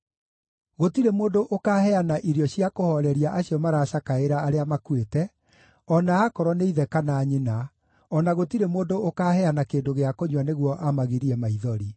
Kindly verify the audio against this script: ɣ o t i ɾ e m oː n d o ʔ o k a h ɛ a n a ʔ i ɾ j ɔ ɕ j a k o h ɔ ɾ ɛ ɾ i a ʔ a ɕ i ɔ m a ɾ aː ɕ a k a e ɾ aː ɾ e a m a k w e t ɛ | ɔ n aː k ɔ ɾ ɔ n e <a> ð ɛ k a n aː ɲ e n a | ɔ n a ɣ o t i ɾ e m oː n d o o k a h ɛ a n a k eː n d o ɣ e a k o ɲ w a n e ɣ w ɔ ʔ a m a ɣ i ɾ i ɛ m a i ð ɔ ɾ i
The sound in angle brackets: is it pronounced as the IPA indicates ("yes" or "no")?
no